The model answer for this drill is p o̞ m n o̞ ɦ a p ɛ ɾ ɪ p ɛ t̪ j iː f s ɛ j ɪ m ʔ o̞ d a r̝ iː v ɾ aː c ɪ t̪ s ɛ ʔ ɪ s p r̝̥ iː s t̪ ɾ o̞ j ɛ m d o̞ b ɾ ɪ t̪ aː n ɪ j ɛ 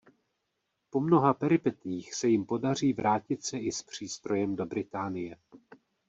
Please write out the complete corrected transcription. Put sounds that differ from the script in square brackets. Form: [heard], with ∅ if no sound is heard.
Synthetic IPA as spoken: p o̞ m n o̞ ɦ a p ɛ ɾ ɪ p ɛ t̪ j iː [x] s ɛ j ɪ m [p] o̞ d a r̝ iː v ɾ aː c ɪ t̪ s ɛ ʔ ɪ s p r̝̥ iː s t̪ ɾ o̞ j ɛ m d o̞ b ɾ ɪ t̪ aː n ɪ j ɛ